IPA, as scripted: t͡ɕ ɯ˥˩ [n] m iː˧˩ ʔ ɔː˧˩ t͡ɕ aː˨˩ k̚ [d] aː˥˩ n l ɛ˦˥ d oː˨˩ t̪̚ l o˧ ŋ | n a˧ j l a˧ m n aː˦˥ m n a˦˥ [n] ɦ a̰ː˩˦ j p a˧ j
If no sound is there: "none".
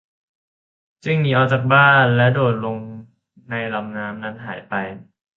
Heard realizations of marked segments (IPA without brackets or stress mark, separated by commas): ŋ, b, n